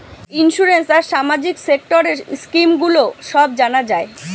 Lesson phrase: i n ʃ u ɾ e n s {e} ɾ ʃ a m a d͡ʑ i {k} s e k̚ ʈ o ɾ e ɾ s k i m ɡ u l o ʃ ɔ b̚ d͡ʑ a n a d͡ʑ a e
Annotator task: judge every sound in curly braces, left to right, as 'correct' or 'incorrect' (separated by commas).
incorrect, correct